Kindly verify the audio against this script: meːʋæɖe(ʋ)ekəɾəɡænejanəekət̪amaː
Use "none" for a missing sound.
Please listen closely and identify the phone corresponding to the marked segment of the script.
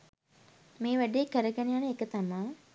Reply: none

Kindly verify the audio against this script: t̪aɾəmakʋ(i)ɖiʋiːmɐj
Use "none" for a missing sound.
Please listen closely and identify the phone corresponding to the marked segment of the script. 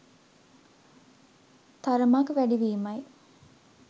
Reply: æ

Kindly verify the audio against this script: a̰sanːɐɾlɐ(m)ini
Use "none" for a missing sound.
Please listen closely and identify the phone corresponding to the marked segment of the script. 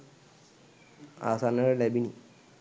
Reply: b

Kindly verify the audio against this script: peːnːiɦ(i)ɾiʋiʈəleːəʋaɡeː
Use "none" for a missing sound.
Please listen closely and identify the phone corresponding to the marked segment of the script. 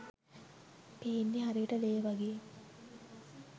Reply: a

